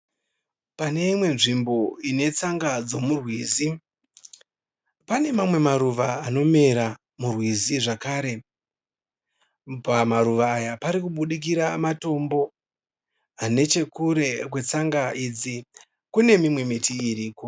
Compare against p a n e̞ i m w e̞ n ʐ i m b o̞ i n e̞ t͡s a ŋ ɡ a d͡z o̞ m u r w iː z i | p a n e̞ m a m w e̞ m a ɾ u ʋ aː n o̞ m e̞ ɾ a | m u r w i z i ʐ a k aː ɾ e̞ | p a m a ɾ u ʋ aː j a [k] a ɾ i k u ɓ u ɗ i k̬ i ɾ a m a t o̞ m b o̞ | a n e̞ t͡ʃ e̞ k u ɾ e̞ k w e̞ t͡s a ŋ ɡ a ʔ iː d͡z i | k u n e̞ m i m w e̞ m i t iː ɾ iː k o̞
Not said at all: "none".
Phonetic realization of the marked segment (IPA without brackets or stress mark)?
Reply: p